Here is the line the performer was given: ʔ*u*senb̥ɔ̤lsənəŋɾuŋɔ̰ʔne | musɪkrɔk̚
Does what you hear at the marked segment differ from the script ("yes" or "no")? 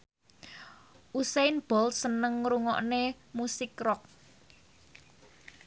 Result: no